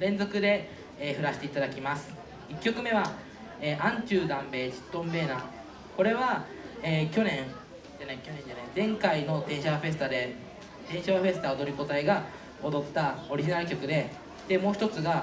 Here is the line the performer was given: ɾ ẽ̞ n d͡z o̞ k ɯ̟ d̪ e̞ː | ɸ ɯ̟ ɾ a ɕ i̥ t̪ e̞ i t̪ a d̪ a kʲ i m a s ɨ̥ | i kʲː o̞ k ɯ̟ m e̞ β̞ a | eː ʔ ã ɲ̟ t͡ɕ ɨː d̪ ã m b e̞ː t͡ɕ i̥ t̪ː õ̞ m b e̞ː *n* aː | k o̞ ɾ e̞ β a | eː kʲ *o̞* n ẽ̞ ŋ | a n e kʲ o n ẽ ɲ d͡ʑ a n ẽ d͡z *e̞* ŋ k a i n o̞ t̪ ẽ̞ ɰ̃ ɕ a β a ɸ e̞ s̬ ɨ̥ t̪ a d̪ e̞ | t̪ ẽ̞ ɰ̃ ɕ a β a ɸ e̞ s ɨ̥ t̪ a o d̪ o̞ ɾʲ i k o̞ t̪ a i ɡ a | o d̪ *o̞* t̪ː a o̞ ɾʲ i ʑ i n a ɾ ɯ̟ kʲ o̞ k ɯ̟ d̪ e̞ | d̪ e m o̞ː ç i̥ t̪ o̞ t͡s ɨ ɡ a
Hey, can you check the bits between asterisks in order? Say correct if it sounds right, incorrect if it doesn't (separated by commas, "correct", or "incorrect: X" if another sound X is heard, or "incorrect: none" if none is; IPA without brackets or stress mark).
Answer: correct, correct, incorrect: ẽ̞, correct